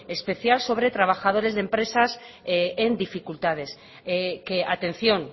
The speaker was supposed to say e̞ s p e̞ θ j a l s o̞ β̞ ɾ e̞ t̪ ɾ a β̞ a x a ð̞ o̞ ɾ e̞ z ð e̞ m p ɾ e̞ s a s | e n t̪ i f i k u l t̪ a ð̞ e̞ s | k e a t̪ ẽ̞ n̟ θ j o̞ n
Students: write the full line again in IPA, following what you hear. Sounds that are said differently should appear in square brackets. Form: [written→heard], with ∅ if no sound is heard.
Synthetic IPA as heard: e̞ s p e̞ θ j a l s o̞ β̞ ɾ e̞ t̪ ɾ a β̞ a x a ð̞ o̞ ɾ e̞ z ð e̞ m p ɾ e̞ s a s | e n [t̪→d̪] i f i k u l t̪ a ð̞ e̞ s | k e a t̪ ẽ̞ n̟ θ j o̞ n